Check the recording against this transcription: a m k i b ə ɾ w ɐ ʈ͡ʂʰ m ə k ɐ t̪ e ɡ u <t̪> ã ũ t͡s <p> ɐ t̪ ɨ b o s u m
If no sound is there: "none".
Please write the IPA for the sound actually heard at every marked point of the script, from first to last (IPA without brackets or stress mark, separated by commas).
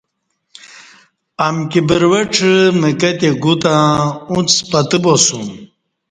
t̪, p